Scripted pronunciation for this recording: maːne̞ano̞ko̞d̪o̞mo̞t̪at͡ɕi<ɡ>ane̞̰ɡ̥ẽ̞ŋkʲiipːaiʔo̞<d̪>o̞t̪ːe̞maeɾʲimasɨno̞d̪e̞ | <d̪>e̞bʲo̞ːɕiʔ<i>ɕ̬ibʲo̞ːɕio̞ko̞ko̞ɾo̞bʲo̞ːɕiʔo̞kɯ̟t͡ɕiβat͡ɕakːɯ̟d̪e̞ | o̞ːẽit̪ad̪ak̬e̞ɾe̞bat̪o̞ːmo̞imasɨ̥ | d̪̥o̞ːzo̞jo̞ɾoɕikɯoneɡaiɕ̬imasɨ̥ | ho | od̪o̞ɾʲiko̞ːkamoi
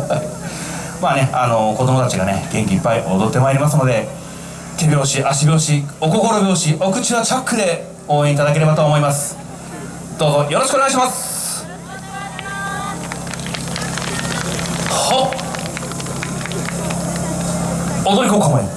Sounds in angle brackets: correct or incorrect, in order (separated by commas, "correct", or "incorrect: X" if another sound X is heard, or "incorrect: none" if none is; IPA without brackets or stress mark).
correct, correct, incorrect: t̪, incorrect: a